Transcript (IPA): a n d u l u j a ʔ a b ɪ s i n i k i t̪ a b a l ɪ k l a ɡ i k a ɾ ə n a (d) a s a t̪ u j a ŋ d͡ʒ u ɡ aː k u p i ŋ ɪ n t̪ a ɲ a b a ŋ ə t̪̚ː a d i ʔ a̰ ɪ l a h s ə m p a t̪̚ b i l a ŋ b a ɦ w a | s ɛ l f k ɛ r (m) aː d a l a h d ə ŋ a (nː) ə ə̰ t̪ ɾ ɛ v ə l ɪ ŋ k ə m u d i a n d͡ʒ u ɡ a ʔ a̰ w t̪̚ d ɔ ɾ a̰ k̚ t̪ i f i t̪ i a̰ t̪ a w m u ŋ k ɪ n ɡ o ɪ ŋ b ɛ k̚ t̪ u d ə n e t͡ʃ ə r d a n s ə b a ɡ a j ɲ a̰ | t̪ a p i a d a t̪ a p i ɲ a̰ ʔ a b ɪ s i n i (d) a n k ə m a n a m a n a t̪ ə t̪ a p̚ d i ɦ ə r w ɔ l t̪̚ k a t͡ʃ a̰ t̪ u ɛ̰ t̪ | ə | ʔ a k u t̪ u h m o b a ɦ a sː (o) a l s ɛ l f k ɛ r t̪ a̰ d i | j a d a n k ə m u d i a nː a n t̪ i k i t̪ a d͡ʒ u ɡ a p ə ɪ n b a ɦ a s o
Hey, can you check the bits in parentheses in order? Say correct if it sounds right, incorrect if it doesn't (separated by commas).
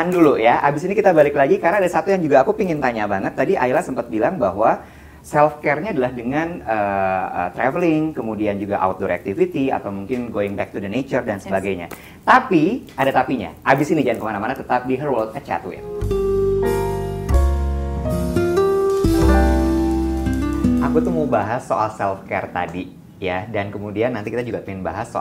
correct, incorrect, incorrect, incorrect, correct